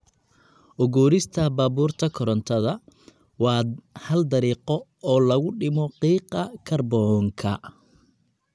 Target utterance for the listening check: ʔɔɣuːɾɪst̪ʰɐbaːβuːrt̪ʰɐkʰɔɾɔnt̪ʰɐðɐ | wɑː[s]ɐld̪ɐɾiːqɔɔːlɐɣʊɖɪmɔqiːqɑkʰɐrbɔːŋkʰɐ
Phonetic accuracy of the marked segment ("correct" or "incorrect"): incorrect